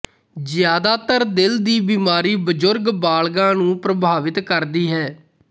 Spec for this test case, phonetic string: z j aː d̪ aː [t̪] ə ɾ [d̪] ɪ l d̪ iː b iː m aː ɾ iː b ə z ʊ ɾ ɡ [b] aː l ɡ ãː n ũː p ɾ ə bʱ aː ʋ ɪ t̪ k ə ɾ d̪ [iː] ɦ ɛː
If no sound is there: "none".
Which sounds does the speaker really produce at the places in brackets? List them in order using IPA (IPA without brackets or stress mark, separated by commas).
t̪, d̪, b, iː